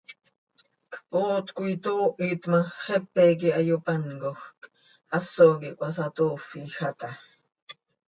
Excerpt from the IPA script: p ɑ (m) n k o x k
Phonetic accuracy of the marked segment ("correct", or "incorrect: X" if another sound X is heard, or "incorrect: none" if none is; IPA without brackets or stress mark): incorrect: none